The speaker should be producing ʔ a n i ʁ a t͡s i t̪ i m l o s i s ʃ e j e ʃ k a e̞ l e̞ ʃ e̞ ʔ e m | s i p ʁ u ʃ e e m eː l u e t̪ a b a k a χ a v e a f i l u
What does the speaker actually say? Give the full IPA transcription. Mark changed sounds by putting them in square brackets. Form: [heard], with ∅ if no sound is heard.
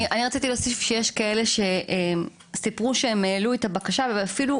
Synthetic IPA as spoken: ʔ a n i ʁ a t͡s i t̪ i [∅] l o s i [f] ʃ e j e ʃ k a e̞ l e̞ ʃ e̞ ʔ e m | s i p ʁ u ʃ e e m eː l u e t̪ a b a k a [ʃ] a v e a f i l u